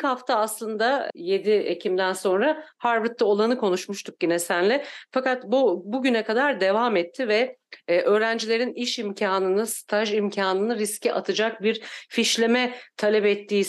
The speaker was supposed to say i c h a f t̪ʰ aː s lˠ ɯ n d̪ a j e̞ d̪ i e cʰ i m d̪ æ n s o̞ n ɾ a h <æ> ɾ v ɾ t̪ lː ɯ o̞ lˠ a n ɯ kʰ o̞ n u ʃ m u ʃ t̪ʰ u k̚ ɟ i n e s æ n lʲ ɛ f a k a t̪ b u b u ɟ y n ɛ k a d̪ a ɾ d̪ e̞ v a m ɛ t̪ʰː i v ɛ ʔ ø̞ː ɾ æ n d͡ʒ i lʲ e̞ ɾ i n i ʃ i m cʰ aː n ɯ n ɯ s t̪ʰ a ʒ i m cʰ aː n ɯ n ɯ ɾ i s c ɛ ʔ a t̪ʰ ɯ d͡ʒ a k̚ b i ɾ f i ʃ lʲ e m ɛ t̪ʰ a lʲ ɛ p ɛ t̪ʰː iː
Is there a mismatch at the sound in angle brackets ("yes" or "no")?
yes